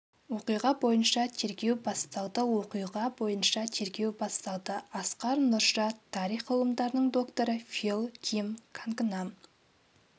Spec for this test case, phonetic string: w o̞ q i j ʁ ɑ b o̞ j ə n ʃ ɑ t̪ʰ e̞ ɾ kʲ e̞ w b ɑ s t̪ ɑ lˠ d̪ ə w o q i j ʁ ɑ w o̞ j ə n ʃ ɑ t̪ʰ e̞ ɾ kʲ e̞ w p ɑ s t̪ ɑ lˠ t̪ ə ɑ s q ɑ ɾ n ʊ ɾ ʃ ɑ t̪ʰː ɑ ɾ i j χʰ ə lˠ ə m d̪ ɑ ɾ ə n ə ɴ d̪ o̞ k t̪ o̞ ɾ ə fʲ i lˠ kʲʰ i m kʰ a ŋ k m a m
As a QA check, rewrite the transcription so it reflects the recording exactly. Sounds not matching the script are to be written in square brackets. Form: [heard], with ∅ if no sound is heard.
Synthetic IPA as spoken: w o̞ q i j ʁ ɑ b o̞ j ə n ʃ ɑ t̪ʰ e̞ ɾ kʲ e̞ w b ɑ s t̪ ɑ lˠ d̪ ə w o q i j ʁ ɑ [b] o̞ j ə n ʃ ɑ t̪ʰ e̞ ɾ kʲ e̞ w [b] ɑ s t̪ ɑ lˠ [d̪] ə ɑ s q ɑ ɾ n ʊ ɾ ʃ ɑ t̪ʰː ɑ ɾ i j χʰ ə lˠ ə m d̪ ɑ ɾ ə n ə ɴ d̪ o̞ k t̪ o̞ ɾ ə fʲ i lˠ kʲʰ i m kʰ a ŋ k [n] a m

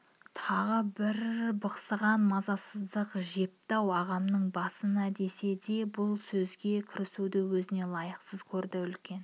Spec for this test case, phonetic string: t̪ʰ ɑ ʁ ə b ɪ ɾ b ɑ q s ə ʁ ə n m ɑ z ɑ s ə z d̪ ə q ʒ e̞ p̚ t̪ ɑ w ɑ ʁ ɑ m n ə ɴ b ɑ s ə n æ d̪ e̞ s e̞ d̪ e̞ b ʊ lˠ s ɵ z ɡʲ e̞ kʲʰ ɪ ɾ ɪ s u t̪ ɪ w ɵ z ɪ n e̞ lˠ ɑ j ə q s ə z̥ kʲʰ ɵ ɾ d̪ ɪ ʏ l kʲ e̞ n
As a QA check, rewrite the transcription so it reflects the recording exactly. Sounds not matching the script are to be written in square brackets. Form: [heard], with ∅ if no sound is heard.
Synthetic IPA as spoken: t̪ʰ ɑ ʁ ə b ɪ ɾ b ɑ q s ə ʁ [ɑ] n m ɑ z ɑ s ə z d̪ ə q ʒ e̞ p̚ t̪ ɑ w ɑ ʁ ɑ m n ə ɴ b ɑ s ə n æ d̪ e̞ s e̞ d̪ e̞ b ʊ lˠ s ɵ z ɡʲ e̞ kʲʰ ɪ ɾ ɪ s u [d̪] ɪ w ɵ z ɪ n e̞ lˠ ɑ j ə q s ə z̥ kʲʰ ɵ ɾ d̪ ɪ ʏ l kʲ e̞ n

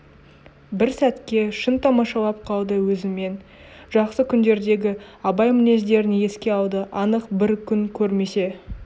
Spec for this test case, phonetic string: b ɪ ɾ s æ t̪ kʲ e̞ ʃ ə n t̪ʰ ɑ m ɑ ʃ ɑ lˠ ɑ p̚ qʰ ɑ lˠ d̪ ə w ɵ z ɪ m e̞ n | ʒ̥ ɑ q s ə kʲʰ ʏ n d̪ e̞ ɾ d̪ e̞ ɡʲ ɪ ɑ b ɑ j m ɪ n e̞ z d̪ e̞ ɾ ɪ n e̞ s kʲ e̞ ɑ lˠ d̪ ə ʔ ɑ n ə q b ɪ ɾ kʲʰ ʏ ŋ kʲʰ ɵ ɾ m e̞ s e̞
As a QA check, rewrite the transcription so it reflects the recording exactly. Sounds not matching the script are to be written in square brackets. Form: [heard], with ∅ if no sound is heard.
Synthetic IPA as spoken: b ɪ ɾ s æ t̪ kʲ e̞ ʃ ə n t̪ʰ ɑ m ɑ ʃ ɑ lˠ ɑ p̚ qʰ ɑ lˠ d̪ ə w ɵ z ɪ m e̞ n | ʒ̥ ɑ q s ə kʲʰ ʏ n d̪ e̞ ɾ d̪ e̞ ɡʲ ɪ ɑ b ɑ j m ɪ n e̞ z d̪ e̞ ɾ ɪ n e̞ s kʲ e̞ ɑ lˠ d̪ ə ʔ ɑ n ə q b ɪ ɾ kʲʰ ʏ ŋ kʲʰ ɵ ɾ m e̞ s e̞

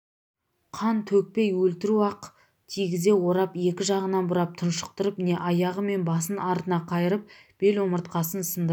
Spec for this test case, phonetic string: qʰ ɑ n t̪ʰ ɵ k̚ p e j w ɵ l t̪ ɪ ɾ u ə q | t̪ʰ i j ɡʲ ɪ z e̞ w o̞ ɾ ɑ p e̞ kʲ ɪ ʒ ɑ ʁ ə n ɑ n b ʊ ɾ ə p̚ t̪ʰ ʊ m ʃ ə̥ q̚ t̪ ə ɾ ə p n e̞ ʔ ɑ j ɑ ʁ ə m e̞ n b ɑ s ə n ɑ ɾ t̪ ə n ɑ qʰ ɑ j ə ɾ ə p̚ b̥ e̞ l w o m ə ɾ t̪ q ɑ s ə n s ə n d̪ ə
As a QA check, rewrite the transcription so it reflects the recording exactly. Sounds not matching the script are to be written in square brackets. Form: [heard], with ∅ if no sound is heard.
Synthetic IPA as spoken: qʰ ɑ n t̪ʰ ɵ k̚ p e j w ɵ l t̪ ɪ ɾ u [ɑ] q | t̪ʰ i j ɡʲ ɪ z e̞ w o̞ ɾ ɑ p e̞ kʲ ɪ ʒ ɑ ʁ ə n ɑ n b ʊ ɾ [ɑ] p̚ t̪ʰ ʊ [n] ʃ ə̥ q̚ t̪ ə ɾ ə p n e̞ ʔ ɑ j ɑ ʁ ə m e̞ n b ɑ s ə n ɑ ɾ t̪ ə n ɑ qʰ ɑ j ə ɾ ə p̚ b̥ e̞ l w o m ə ɾ t̪ q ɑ s ə n s ə n d̪ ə

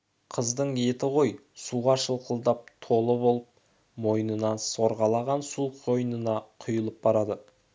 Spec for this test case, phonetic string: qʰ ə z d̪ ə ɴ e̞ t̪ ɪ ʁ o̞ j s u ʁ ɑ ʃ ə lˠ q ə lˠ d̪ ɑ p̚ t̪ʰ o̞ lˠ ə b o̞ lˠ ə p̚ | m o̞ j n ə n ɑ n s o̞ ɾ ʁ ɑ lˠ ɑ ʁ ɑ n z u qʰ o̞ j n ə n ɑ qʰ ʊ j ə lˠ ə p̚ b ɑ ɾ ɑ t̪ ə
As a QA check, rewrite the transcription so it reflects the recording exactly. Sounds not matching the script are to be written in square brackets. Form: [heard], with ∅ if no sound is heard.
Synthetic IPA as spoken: qʰ ə z d̪ ə ɴ e̞ t̪ ɪ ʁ o̞ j s u ʁ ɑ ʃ ə lˠ q ə lˠ d̪ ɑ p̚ t̪ʰ o̞ lˠ ə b o̞ lˠ ə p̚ | m o̞ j n ə n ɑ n s o̞ ɾ ʁ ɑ lˠ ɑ ʁ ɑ n [s] u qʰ o̞ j n ə n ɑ qʰ ʊ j ə lˠ ə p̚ b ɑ ɾ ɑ [d̪] ə

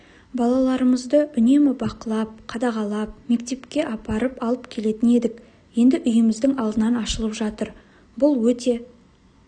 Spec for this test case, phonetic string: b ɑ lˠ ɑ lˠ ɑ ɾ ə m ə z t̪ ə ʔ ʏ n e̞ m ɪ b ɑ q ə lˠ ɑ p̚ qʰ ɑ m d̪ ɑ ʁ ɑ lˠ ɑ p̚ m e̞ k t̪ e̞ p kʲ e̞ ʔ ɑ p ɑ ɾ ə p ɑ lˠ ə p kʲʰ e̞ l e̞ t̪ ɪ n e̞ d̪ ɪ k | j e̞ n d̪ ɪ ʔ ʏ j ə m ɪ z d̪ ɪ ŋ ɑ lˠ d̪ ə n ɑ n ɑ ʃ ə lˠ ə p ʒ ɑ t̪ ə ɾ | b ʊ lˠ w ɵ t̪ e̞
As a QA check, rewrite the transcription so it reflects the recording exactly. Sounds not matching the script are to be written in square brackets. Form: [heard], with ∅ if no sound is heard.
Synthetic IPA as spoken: b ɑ lˠ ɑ lˠ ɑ ɾ ə m ə z [d̪] ə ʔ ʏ n e̞ m ɪ b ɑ q ə lˠ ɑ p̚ qʰ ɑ [∅] d̪ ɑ ʁ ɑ lˠ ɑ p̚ m e̞ k t̪ e̞ p kʲ e̞ ʔ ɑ p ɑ ɾ ə p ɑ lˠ ə p kʲʰ e̞ l e̞ t̪ ɪ n e̞ d̪ ɪ k | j e̞ n d̪ ɪ ʔ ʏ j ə m ɪ z d̪ ɪ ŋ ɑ lˠ d̪ ə n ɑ n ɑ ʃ ə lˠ ə p ʒ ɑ t̪ ə ɾ | b ʊ lˠ w ɵ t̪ e̞

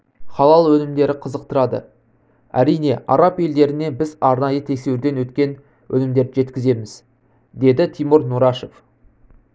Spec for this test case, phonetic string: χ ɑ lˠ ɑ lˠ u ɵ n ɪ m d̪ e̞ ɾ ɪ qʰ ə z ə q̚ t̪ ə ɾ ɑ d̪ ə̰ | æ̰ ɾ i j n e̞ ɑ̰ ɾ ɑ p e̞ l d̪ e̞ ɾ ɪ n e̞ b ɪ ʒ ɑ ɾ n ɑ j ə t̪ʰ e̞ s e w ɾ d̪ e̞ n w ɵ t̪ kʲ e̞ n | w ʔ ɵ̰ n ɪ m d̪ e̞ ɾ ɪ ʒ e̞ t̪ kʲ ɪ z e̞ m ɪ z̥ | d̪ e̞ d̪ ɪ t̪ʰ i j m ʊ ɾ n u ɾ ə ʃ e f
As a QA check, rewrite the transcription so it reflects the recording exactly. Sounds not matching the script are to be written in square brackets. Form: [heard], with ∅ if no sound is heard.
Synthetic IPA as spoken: χ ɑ lˠ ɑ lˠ [w] ɵ n ɪ m d̪ e̞ ɾ ɪ qʰ ə z ə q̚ t̪ ə ɾ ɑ d̪ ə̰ | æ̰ ɾ i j n e̞ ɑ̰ ɾ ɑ p e̞ l d̪ e̞ ɾ ɪ n e̞ b ɪ [z] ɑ ɾ n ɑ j ə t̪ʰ e̞ s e w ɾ d̪ e̞ n w ɵ t̪ kʲ e̞ n | w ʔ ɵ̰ n ɪ m d̪ e̞ ɾ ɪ ʒ e̞ t̪ kʲ ɪ z e̞ m ɪ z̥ | d̪ e̞ d̪ ɪ t̪ʰ i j m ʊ ɾ n u ɾ [ɑ] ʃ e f

